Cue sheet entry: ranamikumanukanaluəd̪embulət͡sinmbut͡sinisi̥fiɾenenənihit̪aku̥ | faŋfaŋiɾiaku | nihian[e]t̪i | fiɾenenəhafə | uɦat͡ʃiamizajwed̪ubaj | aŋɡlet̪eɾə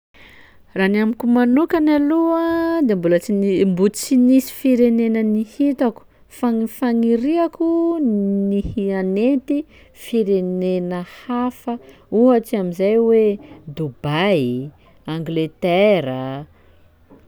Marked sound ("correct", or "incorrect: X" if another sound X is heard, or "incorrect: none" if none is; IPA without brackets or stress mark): correct